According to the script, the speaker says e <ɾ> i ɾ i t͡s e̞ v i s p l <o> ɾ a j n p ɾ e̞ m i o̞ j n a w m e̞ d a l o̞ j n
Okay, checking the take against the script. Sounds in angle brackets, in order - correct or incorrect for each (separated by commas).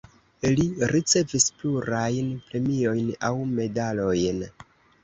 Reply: incorrect, incorrect